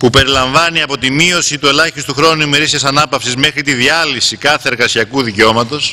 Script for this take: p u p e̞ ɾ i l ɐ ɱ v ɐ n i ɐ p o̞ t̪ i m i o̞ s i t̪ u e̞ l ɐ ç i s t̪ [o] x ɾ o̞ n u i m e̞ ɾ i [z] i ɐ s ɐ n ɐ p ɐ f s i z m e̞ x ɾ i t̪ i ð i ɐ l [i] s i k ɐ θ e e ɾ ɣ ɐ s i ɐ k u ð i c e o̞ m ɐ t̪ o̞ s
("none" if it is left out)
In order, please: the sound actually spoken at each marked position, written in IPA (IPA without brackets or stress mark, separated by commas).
u, s, i